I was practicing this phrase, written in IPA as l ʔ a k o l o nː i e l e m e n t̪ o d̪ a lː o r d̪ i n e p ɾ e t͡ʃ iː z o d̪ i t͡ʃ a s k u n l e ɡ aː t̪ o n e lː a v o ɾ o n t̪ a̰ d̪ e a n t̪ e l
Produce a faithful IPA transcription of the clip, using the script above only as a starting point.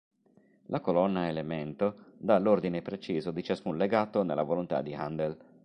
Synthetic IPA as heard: l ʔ a k o l ɔ nː a e l e m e n t̪ o d̪ a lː o r d̪ i n e p ɾ e t͡ʃ iː z o d̪ i t͡ʃ a s k u n l e ɡ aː t̪ o n e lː a v o l o n t̪ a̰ d̪ i a n d̪ e l